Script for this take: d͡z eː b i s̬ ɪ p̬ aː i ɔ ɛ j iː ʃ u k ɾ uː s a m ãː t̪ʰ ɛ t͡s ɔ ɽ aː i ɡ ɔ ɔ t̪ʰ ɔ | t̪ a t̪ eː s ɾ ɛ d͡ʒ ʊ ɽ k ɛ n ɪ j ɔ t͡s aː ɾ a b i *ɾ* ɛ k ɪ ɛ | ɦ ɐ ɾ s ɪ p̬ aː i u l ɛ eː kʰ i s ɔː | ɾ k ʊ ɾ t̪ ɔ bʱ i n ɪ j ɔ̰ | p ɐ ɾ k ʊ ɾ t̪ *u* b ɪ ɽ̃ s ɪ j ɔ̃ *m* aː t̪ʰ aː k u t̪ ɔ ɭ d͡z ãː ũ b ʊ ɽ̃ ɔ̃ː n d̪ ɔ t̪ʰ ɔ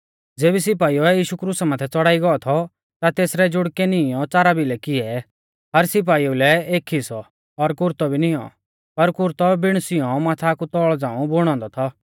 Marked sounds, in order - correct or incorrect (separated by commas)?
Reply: incorrect, incorrect, correct